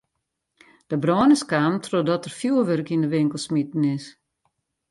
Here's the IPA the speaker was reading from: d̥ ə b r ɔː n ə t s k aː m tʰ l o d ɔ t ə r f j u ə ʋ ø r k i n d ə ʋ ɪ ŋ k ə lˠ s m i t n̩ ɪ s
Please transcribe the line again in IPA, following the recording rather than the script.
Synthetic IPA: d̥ ə b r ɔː n ə s k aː m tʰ r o d ɔ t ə r f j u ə ʋ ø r k i n d ə ʋ ɪ ŋ k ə lˠ s m i t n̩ ɪ s